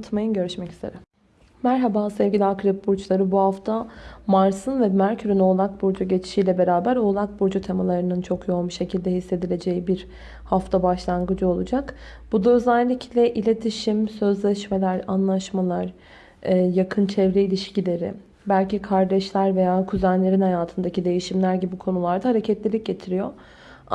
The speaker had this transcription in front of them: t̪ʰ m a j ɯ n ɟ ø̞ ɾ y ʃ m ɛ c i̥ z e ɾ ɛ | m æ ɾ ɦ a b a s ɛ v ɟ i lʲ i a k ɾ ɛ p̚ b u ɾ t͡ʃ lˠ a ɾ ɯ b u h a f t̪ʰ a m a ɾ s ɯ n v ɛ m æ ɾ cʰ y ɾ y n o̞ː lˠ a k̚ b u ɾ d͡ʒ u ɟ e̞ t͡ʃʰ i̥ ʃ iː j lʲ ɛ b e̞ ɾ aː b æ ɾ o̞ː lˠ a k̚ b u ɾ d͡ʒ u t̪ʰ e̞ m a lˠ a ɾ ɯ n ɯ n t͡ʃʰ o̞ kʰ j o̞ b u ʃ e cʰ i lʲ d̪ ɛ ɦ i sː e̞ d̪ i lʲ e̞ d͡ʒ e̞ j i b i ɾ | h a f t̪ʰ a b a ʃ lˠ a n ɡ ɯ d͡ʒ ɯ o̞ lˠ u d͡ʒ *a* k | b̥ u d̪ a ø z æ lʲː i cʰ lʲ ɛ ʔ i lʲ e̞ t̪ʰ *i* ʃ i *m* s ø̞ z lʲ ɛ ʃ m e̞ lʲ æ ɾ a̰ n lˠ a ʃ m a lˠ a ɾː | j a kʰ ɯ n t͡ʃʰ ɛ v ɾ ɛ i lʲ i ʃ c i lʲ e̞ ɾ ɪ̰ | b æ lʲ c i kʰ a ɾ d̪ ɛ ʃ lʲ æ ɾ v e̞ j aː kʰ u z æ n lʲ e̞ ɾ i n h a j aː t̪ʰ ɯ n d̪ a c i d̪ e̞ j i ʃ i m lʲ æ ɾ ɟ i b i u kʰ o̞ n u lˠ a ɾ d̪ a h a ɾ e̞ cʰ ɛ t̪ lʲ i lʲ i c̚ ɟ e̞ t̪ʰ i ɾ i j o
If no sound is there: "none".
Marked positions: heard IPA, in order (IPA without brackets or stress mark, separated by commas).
a, i, m